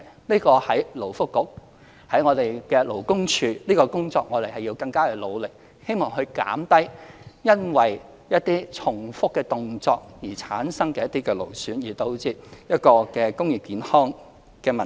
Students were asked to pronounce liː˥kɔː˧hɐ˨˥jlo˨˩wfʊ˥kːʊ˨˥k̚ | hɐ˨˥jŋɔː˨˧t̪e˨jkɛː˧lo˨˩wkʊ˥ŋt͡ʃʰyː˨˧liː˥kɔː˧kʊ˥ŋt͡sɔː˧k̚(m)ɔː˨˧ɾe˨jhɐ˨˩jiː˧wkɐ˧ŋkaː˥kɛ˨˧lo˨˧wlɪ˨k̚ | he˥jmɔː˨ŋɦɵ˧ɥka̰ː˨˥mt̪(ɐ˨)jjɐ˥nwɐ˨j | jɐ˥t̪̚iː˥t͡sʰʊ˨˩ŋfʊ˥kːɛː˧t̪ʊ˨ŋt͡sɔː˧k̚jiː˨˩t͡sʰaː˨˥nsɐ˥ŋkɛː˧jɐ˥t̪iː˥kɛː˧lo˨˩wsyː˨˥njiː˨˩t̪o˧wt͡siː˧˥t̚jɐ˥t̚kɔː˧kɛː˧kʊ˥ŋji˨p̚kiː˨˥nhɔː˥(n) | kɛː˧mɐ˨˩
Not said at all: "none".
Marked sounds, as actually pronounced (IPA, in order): ŋ, ɐ˥, ŋ

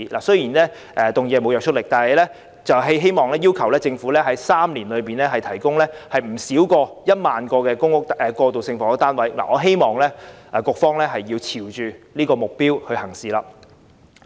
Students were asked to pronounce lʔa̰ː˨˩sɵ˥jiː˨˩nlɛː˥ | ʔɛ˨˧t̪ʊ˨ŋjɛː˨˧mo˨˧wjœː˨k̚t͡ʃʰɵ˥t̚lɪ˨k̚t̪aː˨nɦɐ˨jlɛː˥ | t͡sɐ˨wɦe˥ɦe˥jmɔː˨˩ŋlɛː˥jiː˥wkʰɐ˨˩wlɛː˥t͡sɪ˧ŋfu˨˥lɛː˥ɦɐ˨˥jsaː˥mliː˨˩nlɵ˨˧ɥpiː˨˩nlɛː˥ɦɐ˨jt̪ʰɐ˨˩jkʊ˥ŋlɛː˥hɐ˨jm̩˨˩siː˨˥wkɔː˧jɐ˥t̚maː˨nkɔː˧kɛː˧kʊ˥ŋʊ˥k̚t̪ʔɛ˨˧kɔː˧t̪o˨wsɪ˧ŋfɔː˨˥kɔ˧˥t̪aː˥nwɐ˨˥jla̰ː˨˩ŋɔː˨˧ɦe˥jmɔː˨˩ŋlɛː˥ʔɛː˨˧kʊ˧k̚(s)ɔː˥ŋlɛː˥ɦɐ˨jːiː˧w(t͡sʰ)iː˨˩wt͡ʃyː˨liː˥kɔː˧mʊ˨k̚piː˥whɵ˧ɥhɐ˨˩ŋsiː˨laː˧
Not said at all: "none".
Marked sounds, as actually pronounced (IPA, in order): f, t͡sʰ

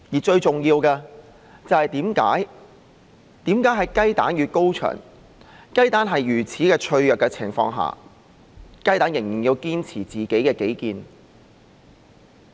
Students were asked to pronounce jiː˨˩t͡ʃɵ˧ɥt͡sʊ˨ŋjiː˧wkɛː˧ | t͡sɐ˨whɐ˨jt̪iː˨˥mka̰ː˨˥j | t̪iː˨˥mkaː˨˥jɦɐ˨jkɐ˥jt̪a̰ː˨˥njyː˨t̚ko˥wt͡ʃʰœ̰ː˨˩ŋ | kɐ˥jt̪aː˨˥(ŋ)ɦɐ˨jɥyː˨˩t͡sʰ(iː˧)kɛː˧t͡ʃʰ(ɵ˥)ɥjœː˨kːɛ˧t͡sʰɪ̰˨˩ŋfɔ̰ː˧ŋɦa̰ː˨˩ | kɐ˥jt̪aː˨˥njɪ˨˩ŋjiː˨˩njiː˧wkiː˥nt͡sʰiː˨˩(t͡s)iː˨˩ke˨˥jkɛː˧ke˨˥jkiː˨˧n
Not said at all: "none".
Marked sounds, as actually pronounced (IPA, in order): n, iː˨˥, ɵ˧, t͡s

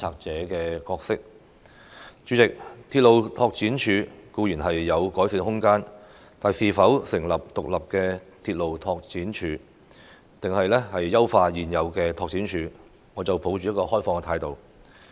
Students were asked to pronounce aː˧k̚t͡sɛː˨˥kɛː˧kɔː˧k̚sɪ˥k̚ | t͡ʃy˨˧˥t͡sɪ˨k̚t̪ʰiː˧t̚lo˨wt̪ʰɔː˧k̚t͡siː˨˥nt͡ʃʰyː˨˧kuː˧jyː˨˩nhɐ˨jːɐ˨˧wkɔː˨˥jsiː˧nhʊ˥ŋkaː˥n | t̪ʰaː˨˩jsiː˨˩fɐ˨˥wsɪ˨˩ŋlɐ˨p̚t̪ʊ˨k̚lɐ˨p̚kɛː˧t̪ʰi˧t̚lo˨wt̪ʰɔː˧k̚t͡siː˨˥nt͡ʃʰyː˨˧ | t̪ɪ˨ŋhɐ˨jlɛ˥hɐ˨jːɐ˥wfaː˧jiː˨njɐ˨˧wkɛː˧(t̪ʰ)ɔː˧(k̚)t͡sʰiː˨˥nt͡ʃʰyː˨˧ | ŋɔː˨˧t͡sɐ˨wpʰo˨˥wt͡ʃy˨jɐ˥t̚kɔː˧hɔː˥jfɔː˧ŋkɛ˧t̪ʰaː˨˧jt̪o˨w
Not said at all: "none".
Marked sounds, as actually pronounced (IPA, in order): t̪ʰ, k̚

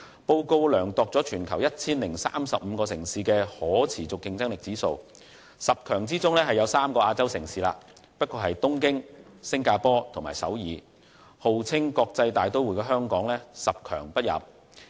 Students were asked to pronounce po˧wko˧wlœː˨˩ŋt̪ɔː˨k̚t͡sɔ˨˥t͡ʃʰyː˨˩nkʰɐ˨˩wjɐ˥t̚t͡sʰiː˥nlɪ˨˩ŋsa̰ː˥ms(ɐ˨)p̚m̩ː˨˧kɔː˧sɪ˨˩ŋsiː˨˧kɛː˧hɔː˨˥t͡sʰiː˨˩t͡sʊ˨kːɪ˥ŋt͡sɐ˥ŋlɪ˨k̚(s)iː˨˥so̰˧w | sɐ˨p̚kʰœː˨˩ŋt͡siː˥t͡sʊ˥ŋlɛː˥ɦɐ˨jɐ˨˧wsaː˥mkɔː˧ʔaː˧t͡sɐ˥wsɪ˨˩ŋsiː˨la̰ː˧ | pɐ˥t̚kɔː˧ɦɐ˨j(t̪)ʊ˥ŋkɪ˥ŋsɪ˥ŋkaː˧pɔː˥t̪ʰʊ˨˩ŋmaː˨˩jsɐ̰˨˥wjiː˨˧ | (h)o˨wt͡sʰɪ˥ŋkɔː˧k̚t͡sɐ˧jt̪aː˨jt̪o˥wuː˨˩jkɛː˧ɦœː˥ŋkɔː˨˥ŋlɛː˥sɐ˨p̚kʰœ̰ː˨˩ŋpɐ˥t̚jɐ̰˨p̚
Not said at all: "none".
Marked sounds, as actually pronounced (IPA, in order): ɐ˨, t͡s, t̪, h

